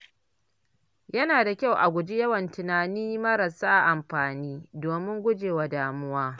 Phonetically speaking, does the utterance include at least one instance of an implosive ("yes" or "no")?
no